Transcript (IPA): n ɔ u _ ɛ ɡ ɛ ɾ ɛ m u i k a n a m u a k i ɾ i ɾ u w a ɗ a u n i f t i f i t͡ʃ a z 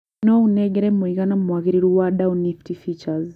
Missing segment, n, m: n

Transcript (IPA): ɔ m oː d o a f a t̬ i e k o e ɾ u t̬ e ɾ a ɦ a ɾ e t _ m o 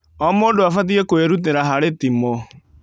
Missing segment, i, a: i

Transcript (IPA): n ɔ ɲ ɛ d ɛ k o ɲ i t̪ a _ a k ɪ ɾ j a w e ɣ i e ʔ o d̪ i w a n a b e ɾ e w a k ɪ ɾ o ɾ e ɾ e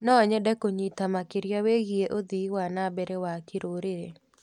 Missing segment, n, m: m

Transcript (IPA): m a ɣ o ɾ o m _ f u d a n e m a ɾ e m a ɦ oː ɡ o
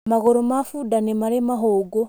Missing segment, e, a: a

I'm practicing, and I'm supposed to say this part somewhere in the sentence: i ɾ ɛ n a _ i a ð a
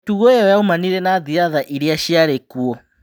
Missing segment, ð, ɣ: ð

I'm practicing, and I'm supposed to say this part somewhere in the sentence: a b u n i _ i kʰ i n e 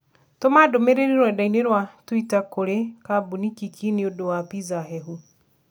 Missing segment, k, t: k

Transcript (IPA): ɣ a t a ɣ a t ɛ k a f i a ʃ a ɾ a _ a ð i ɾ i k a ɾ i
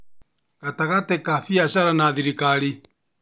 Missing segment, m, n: n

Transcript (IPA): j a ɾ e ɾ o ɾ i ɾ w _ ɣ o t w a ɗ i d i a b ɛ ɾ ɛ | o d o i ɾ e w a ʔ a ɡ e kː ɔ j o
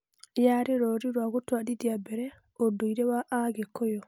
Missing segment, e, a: a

